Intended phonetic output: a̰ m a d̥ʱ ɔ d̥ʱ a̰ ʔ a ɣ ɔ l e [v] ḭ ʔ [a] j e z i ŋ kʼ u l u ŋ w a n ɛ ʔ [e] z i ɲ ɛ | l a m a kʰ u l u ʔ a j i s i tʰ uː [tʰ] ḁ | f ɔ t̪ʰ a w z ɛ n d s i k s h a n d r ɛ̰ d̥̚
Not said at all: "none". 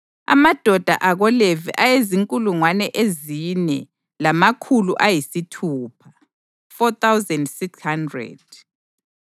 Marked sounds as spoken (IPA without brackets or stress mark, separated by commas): v, a, e, pʰ